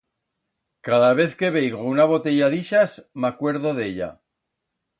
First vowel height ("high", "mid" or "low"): low